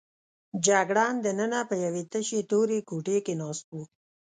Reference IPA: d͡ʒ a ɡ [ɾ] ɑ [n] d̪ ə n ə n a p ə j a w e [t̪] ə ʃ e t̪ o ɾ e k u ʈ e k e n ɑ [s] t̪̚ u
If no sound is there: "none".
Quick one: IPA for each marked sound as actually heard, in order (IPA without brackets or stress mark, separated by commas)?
ɽ, n, t̪, s